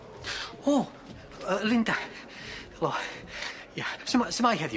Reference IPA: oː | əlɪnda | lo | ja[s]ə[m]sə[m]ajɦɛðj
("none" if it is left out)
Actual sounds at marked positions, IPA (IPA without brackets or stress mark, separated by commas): s, m, m